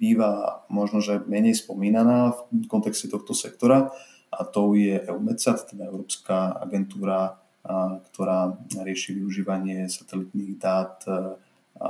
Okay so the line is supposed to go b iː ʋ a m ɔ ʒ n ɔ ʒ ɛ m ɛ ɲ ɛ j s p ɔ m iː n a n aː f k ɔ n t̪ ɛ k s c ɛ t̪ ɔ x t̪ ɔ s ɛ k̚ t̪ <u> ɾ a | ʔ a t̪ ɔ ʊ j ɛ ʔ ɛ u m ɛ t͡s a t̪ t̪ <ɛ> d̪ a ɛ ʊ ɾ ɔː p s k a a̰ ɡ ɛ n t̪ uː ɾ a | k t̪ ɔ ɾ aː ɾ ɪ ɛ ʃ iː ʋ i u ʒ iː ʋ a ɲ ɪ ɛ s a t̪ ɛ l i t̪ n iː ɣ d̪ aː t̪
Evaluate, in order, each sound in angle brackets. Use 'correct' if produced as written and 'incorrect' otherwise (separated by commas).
incorrect, correct